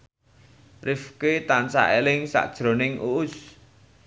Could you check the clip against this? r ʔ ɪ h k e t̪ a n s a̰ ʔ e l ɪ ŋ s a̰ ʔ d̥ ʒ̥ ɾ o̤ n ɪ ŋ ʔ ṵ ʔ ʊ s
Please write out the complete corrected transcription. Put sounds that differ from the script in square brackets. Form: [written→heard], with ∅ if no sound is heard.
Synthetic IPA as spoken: r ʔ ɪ [h→f] k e t̪ a n s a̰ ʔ e l ɪ ŋ s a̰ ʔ d̥ ʒ̥ ɾ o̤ n ɪ ŋ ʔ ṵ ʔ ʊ s

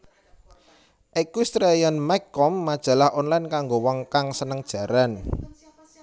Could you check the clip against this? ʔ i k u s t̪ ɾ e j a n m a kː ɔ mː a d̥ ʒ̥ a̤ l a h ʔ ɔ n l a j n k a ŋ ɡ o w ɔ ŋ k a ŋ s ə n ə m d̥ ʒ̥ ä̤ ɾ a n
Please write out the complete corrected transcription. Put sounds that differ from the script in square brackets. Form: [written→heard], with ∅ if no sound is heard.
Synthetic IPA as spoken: ʔ i k u s t̪ ɾ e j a n m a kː ɔ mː a d̥ ʒ̥ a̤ l a h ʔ ɔ n l a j n k a ŋ ɡ o w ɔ ŋ k a ŋ s ə n ə [m→ŋ] d̥ ʒ̥ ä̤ ɾ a n

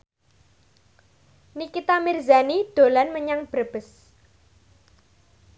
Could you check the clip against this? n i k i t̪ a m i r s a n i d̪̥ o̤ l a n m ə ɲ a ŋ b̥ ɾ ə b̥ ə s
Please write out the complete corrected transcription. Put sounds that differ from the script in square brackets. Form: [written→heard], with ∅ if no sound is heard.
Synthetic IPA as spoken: n i k i t̪ a m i r [s→z] a n i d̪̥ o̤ l a n m ə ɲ a ŋ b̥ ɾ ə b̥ ə s

